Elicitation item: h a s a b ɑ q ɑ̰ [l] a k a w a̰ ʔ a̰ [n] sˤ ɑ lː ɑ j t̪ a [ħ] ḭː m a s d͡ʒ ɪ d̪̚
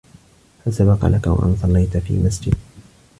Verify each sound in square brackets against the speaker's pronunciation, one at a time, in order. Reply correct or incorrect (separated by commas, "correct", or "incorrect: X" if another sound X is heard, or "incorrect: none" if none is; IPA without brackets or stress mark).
correct, correct, incorrect: f